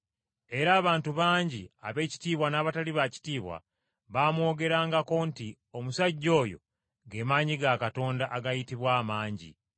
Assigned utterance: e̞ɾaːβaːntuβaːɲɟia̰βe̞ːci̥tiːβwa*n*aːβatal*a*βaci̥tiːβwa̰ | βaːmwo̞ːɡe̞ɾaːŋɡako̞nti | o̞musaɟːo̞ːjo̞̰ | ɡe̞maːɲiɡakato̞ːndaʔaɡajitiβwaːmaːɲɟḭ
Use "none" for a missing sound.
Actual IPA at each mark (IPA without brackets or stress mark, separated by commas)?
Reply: n, i